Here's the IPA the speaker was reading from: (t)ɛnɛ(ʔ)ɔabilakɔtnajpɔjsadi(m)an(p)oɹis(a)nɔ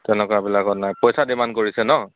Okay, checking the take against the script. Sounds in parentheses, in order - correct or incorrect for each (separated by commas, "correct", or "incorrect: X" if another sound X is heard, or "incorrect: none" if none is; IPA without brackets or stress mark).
correct, incorrect: k, correct, incorrect: k, incorrect: ɛ